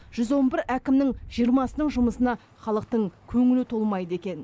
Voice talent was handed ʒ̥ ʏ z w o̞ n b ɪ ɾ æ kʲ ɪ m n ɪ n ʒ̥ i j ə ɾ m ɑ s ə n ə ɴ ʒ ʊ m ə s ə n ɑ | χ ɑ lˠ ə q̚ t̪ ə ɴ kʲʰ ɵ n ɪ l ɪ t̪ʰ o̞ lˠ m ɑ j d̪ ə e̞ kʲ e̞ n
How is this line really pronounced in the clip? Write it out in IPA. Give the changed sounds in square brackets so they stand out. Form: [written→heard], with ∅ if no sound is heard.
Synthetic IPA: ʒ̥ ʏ z w o̞ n b ɪ ɾ æ kʲ ɪ m n ɪ [n→ŋ] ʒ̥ i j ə ɾ m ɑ s ə n ə ɴ ʒ ʊ m ə s ə n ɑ | χ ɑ lˠ ə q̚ t̪ ə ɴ kʲʰ ɵ [n→ŋ] ɪ l ɪ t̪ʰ o̞ lˠ m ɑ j d̪ ə e̞ kʲ e̞ n